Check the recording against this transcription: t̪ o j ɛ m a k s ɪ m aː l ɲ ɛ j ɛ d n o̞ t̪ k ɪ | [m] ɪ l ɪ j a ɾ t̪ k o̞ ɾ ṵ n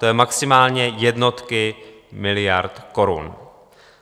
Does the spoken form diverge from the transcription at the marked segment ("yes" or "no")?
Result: no